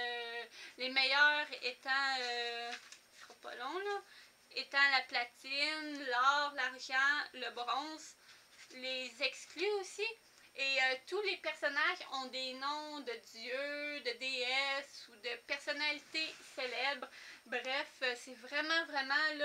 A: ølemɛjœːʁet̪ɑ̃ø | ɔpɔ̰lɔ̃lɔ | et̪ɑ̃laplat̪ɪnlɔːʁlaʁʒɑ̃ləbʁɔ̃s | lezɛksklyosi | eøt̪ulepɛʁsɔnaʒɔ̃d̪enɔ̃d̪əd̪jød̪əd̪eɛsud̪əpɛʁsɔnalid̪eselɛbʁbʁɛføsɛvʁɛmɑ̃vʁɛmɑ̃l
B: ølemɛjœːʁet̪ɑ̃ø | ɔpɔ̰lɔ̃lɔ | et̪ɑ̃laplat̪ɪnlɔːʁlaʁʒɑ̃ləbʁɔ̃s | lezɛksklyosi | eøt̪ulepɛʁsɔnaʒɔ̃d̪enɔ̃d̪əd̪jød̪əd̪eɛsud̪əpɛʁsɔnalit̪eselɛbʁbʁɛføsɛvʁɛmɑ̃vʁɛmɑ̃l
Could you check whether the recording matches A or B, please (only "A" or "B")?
B